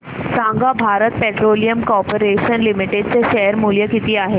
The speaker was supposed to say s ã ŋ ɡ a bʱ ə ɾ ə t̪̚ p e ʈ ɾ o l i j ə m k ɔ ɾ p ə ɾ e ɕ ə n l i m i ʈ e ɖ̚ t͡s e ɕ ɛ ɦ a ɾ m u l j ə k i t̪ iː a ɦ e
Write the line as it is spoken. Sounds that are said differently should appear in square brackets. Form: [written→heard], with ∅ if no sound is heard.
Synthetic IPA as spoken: s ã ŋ ɡ a bʱ [ə→a] ɾ ə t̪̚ p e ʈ ɾ o l i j ə m k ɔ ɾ p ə ɾ e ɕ ə n l i m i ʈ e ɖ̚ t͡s e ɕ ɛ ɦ [a→ə] ɾ m u l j ə k i t̪ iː a ɦ e